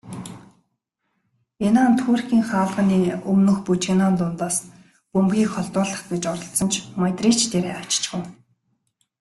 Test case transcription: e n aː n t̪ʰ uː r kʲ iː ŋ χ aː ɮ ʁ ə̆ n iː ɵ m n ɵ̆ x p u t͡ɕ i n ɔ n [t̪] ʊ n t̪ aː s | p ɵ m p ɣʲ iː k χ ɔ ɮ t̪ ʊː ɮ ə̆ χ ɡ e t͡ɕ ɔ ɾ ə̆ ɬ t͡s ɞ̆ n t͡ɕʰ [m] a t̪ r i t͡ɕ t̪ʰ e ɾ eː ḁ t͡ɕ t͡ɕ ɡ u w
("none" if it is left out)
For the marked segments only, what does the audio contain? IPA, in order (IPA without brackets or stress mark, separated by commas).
t̪, m